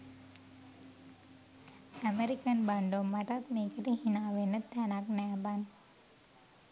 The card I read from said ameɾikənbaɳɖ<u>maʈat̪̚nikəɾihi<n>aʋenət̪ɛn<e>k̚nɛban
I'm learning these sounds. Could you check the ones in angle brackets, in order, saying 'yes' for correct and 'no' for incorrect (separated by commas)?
no, yes, no